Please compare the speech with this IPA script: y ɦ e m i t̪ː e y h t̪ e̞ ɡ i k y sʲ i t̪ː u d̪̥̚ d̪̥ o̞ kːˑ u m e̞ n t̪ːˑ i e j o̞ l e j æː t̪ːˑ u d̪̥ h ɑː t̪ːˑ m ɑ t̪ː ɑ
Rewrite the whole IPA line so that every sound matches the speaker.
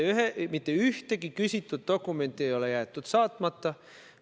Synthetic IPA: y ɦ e m i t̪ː e y h t̪ e̞ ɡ i k y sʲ i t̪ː u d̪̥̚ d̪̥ o̞ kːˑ u m e̞ n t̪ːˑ i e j o̞ l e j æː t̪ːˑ u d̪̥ s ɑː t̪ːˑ m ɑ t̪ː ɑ